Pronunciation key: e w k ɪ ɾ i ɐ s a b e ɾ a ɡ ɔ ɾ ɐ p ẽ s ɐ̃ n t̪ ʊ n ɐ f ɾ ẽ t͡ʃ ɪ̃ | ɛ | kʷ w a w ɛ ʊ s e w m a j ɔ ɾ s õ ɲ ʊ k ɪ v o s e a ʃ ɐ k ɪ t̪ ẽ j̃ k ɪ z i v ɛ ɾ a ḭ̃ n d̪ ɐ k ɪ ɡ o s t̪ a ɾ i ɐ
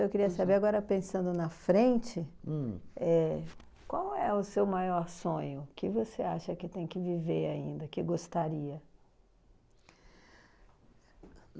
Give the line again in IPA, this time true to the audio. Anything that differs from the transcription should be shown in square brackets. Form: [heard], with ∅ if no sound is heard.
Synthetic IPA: e w k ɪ ɾ i ɐ s a b e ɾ a ɡ ɔ ɾ ɐ p ẽ s ɐ̃ n [d̪] ʊ n ɐ f ɾ ẽ t͡ʃ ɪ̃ | ɛ | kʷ w a w ɛ ʊ s e w m a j ɔ ɾ s õ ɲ ʊ k ɪ v o s e a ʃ ɐ k ɪ t̪ ẽ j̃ k ɪ [v] i v [e] ɾ a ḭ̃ n d̪ ɐ k ɪ ɡ o s t̪ a ɾ i ɐ